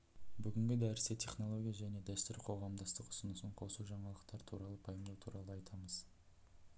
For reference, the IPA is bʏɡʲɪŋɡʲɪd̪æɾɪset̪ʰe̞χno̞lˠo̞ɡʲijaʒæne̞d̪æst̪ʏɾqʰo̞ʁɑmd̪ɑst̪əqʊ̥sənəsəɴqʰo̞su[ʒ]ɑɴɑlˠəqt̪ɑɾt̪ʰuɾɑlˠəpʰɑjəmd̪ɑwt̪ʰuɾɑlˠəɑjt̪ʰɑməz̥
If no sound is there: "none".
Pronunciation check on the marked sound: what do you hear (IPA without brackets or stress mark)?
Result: ʒ